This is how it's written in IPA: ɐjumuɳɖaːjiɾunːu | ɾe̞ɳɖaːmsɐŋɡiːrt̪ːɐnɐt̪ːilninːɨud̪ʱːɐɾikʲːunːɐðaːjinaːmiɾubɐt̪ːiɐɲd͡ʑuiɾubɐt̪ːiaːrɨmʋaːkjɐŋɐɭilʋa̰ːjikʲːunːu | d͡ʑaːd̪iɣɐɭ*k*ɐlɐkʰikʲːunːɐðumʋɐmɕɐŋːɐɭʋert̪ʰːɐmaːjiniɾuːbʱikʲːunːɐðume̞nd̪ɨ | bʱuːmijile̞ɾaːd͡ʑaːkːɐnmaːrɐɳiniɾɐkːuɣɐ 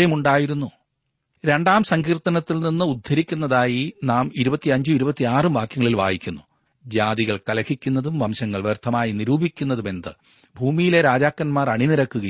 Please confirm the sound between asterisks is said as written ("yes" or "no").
yes